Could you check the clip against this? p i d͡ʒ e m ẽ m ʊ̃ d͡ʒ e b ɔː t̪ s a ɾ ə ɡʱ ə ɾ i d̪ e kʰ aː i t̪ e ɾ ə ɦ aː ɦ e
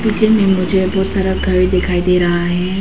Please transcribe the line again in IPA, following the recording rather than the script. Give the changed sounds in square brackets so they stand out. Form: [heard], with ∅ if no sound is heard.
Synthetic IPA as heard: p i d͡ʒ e m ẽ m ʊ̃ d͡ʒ e b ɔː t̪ s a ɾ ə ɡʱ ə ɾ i d̪ e kʰ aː i [d̪] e ɾ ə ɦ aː ɦ e